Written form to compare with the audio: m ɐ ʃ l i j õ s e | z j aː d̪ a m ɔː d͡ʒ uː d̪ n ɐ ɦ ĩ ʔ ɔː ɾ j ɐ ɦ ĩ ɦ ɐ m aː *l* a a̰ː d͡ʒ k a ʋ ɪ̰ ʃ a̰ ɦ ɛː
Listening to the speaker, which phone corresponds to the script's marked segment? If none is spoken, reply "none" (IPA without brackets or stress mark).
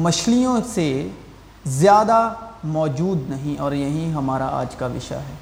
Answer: ɾ